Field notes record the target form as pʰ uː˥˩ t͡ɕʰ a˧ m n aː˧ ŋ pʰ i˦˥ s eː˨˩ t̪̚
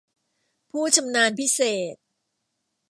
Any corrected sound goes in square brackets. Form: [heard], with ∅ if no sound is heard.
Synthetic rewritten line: pʰ uː˥˩ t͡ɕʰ a˧ m n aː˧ [n] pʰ i˦˥ s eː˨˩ t̪̚

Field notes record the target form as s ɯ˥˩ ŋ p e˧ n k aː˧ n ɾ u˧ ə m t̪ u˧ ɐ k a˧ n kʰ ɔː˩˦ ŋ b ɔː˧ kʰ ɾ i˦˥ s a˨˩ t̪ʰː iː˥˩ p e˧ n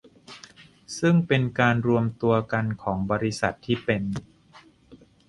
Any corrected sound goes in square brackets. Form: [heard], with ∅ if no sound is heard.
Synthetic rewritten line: s ɯ˥˩ ŋ p e˧ n k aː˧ n ɾ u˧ ə m t̪ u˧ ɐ k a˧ n kʰ ɔː˩˦ ŋ b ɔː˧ [∅] ɾ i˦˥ s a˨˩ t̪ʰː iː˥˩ p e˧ n

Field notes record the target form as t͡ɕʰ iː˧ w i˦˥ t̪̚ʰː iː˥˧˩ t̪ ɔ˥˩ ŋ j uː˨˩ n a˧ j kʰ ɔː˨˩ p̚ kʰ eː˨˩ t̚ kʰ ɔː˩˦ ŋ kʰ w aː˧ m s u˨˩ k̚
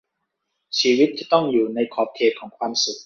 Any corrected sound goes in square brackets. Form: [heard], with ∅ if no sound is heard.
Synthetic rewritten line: t͡ɕʰ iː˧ w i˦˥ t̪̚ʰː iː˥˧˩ t̪ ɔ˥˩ ŋ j uː˨˩ n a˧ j kʰ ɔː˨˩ p̚ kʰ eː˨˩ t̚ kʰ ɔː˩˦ ŋ kʰ w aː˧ m s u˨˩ k̚

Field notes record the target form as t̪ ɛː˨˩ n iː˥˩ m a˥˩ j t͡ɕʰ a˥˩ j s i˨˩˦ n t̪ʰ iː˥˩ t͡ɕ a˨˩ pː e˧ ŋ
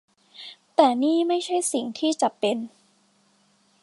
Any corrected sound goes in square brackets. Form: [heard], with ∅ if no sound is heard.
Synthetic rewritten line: t̪ ɛː˨˩ n iː˥˩ m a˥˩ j t͡ɕʰ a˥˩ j s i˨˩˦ [ŋ] t̪ʰ iː˥˩ t͡ɕ a˨˩ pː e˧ [n]

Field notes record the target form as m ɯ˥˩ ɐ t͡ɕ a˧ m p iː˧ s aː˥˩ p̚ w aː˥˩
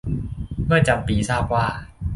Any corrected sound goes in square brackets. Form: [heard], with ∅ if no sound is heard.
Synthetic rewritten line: m ɯ˥˩ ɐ t͡ɕ a˧ m p iː˧ s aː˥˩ p̚ w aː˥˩

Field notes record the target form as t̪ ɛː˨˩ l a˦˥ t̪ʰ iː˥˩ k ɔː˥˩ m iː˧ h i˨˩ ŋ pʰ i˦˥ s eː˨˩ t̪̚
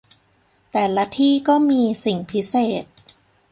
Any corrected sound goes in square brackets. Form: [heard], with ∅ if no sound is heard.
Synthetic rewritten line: t̪ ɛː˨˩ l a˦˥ t̪ʰ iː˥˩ k ɔː˥˩ m iː˧ [s] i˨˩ ŋ pʰ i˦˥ s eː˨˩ t̪̚

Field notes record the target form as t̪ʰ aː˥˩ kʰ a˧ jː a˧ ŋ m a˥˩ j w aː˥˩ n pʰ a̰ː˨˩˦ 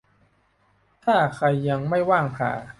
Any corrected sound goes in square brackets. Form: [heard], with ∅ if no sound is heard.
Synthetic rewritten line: t̪ʰ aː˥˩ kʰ a˧ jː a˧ ŋ m a˥˩ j w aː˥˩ [ŋ] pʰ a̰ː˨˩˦

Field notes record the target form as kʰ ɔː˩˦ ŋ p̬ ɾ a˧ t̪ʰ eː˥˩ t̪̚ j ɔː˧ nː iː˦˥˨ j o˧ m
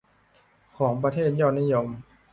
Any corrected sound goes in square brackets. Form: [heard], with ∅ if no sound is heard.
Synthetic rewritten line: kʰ ɔː˩˦ ŋ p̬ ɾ a˧ t̪ʰ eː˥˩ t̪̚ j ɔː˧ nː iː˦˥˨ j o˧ m

